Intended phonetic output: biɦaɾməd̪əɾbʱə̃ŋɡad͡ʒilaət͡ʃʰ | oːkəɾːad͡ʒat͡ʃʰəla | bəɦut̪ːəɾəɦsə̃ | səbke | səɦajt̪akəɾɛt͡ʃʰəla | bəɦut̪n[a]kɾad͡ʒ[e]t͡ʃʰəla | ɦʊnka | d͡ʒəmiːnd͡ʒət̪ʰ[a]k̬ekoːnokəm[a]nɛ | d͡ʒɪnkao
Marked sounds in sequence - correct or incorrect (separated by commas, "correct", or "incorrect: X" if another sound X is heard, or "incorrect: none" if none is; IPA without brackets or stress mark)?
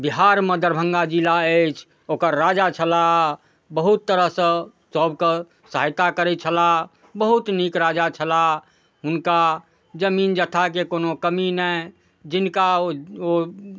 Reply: incorrect: i, incorrect: a, correct, incorrect: i